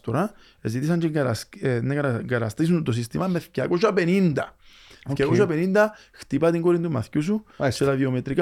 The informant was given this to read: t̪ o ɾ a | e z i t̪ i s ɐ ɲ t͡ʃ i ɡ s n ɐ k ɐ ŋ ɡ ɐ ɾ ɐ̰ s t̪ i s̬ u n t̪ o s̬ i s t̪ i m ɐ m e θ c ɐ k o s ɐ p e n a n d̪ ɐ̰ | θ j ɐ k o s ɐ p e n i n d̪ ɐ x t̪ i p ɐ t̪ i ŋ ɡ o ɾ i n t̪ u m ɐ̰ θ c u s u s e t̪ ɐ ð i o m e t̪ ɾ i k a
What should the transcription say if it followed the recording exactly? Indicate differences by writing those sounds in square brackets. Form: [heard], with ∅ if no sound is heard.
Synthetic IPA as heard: t̪ o ɾ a | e z i t̪ i s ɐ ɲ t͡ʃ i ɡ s n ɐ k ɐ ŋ ɡ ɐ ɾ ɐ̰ s t̪ i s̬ u n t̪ o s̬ i s t̪ i m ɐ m e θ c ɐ k o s ɐ p e n [i] n d̪ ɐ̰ | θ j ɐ k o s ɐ p e n i n d̪ ɐ x t̪ i p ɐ t̪ i ŋ ɡ o ɾ i n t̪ u m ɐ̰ θ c u s u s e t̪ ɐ ð i o m e t̪ ɾ i k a